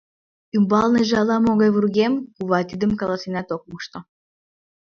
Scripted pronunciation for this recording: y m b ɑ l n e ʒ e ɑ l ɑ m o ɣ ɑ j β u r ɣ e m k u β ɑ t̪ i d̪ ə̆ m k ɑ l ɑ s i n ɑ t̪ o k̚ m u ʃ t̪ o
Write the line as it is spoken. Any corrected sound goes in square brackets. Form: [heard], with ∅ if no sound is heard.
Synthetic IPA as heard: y m b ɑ l n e ʒ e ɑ l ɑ m o ɣ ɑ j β u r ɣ e m k u β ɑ t̪ i d̪ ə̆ m k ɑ l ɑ s i n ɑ t̪ o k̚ m u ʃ t̪ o